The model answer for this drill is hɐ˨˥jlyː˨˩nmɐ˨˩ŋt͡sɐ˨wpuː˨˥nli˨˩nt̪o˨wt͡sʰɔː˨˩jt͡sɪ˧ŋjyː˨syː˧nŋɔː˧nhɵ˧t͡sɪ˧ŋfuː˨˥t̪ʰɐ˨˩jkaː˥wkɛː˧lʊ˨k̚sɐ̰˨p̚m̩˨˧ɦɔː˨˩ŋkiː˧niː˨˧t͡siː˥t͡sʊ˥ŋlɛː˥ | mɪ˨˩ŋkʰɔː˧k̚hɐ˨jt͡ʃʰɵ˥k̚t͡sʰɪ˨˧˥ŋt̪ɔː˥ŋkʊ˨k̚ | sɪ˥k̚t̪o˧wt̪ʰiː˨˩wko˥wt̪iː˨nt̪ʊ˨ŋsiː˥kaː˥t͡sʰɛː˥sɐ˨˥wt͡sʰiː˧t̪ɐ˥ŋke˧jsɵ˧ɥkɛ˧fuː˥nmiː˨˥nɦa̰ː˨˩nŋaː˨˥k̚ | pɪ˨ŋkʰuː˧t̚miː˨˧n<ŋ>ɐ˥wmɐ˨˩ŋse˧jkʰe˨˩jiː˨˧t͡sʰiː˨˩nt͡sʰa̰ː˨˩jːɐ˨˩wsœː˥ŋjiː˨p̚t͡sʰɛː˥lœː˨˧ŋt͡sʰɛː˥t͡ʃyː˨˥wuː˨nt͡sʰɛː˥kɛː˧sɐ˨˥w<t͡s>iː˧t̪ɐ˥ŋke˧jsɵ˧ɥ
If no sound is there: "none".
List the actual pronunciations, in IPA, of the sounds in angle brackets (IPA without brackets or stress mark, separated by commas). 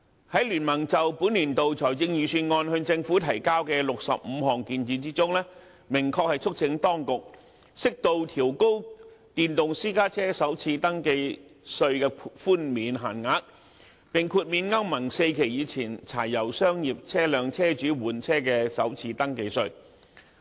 ŋ, t͡sʰ